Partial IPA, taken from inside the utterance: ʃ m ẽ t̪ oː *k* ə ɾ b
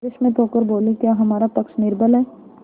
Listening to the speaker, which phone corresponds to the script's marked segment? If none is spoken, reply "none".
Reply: k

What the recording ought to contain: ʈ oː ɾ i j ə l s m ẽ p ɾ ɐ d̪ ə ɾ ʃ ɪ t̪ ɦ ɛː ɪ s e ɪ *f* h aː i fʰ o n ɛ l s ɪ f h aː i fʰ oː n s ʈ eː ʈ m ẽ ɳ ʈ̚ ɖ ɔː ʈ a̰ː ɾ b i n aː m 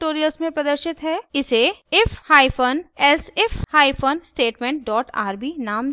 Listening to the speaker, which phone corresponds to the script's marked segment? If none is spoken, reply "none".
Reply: f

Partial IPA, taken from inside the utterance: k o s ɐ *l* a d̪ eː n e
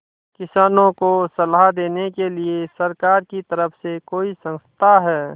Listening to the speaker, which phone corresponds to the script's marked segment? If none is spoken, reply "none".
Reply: l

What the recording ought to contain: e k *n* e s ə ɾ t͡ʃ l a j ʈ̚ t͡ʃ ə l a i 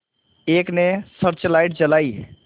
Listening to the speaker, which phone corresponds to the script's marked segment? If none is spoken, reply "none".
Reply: n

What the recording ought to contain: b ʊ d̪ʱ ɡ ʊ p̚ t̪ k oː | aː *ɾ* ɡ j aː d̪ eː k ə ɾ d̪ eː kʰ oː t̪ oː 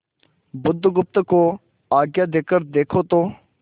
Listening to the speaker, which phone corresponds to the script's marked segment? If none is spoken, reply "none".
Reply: none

